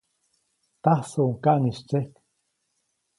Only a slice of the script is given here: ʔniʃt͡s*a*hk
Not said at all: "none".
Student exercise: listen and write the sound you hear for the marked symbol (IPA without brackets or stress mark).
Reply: e